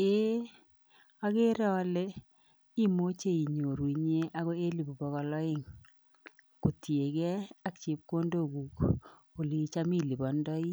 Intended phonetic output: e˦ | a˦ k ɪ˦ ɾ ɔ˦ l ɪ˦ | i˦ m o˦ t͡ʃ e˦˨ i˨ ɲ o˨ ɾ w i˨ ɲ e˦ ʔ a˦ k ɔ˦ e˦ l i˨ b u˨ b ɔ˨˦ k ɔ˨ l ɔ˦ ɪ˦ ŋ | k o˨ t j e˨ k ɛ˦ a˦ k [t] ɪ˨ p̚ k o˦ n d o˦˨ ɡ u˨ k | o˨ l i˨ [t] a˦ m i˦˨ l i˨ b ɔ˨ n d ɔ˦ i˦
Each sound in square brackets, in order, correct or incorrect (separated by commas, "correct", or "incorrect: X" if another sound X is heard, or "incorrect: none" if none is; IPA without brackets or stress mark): incorrect: t͡ʃ, incorrect: t͡ʃ